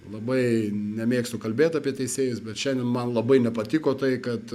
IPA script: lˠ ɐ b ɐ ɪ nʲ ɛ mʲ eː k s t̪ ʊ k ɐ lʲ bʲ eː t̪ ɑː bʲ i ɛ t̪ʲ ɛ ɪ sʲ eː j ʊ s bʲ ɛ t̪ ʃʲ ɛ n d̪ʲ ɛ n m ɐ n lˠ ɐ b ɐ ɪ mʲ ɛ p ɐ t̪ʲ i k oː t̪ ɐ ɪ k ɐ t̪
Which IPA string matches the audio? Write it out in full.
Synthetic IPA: lˠ ɐ b ɐ ɪ nʲ ɛ mʲ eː k s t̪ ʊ k ɐ lʲ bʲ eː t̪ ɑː pʲ i ɛ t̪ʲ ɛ ɪ sʲ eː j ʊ s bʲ ɛ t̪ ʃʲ ɛ n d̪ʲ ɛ n m ɐ n lˠ ɐ b ɐ ɪ nʲ ɛ p ɐ t̪ʲ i k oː t̪ ɐ ɪ k ɐ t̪